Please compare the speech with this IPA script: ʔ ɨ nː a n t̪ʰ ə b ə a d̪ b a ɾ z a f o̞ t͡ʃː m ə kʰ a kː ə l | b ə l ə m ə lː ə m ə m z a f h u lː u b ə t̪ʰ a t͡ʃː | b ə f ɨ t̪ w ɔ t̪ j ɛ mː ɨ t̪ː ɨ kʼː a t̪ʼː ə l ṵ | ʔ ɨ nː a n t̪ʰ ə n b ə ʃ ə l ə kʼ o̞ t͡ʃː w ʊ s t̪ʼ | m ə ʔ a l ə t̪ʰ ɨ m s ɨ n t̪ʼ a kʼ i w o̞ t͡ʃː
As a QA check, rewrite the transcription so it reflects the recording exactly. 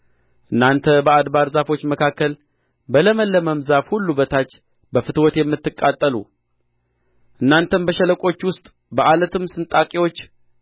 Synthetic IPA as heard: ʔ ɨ nː a n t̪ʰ ə b ə a d̪ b a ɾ z a f o̞ t͡ʃː m ə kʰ a kː ə l | b ə l ə m ə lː ə m ə m z a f h u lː u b ə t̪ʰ a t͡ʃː | b ə f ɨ t̪ w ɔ t̪ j ɛ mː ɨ t̪ː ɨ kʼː a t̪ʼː ə l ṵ | ʔ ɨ nː a n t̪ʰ ə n b ə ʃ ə l ə kʼ o̞ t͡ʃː w ʊ s t̪ʼ | b ə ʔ a l ə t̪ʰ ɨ m s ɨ n t̪ʼ a kʼ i w o̞ t͡ʃː